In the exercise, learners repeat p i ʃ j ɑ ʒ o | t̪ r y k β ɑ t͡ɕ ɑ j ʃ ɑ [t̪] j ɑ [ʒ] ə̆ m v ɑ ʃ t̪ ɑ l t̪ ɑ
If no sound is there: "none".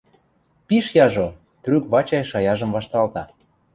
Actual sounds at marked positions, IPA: none, ʒ

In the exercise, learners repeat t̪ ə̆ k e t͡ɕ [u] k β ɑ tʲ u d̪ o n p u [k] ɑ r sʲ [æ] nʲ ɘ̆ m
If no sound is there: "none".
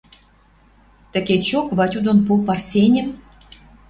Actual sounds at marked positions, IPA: o, p, e

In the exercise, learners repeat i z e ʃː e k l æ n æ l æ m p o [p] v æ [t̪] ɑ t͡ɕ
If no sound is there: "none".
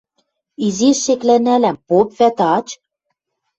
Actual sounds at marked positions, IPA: p, t̪

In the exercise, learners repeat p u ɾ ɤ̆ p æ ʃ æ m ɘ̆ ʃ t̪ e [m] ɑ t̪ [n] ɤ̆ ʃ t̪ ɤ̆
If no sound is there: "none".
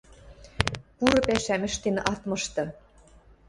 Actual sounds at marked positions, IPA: n, m

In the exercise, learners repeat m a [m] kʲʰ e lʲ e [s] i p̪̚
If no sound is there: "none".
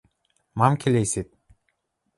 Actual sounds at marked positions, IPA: m, s

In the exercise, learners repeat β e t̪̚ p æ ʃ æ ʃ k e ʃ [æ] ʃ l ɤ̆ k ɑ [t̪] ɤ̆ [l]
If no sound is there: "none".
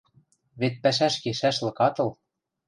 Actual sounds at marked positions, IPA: æ, t̪, l

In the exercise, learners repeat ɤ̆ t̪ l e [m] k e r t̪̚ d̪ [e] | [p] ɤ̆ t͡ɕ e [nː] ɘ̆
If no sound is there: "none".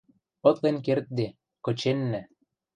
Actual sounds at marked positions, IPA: n, e, k, nː

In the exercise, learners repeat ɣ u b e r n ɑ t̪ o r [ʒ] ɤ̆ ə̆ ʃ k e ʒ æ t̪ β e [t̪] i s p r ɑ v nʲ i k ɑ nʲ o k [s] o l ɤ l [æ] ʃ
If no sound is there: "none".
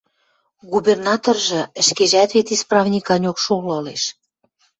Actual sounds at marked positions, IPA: ʒ, t̪, ʃ, e

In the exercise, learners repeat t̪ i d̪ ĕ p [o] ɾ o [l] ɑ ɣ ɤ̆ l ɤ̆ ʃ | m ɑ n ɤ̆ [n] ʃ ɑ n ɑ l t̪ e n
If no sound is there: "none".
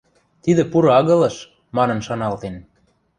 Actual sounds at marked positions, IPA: u, none, n

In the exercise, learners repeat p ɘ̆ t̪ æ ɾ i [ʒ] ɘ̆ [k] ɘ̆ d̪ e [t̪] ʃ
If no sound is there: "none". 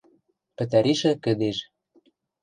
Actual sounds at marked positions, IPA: ʃ, k, none

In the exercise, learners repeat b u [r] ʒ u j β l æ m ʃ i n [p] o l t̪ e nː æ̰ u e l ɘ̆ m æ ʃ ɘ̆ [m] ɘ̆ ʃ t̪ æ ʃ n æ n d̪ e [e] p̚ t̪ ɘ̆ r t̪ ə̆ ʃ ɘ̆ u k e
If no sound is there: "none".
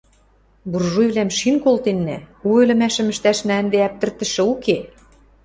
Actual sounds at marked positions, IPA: r, k, m, æ

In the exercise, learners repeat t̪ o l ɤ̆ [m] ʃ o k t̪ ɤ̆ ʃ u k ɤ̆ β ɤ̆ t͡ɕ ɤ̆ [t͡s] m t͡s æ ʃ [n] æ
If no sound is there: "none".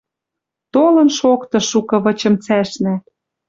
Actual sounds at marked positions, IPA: n, none, n

